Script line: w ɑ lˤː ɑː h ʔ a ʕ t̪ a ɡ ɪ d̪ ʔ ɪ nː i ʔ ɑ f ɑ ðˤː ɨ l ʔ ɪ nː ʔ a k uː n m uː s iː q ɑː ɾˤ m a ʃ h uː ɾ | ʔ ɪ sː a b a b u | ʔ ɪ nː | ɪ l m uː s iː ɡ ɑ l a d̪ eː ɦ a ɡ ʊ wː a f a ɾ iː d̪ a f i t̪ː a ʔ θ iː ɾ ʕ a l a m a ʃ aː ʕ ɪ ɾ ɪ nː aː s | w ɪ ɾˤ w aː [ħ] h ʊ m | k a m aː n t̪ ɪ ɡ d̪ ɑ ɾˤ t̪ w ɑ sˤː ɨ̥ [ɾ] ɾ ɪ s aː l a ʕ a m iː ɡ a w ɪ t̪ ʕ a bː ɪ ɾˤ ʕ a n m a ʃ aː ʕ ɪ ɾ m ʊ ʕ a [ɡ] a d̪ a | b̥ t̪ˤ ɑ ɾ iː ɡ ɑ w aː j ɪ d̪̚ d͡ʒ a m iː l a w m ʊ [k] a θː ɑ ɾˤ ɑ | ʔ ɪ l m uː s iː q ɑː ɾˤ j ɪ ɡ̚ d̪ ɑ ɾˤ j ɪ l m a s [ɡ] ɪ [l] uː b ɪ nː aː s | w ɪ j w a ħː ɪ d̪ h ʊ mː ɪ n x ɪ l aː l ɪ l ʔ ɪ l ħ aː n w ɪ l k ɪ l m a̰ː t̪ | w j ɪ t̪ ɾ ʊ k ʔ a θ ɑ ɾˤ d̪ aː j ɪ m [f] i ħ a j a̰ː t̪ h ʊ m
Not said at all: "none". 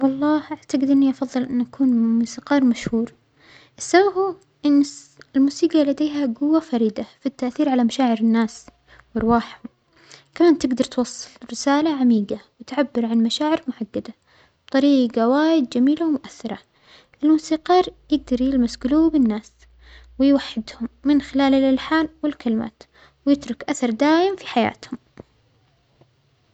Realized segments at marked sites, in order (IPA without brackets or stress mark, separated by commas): ħ, l, ɡː, ʔ, ɡ, l, f